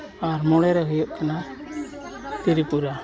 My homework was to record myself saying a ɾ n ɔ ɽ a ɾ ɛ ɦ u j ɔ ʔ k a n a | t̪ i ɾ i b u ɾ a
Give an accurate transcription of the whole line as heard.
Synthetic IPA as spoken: a ɾ m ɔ ɽ ɛ ɾ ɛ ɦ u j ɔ ʔ k a n a | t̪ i ɾ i p u ɾ a